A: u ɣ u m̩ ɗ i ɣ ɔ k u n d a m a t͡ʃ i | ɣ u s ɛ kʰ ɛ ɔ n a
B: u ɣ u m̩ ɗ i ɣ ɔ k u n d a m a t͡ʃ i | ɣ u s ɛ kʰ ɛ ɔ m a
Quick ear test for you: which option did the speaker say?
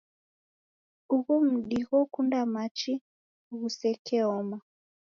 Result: B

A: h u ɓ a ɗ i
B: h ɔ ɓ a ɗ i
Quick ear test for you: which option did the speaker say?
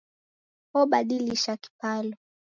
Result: B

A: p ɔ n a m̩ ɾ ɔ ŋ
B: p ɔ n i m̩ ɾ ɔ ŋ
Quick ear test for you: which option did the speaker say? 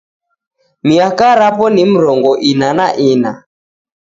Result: B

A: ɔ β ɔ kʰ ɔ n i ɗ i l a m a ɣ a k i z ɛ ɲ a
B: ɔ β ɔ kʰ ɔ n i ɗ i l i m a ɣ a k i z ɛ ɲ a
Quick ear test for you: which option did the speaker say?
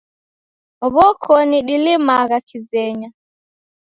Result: B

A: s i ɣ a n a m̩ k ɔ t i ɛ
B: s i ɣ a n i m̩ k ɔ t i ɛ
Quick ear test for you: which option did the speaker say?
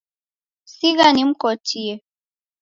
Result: B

